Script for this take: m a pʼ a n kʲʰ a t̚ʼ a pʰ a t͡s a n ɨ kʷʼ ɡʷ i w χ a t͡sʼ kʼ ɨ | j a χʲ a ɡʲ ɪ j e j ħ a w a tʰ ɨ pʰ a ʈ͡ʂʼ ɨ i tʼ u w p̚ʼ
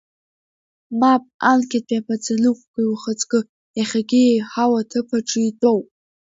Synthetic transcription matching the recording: m a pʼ a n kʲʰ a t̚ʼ a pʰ a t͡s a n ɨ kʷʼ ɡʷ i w χ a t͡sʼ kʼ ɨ | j a χʲ a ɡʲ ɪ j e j ħ a w a tʰ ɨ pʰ a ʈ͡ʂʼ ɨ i tʼ o w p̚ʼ